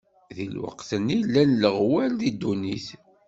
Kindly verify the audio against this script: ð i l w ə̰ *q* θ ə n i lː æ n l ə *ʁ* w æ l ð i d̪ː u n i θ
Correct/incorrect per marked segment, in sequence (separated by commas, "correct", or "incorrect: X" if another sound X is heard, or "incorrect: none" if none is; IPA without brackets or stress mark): correct, correct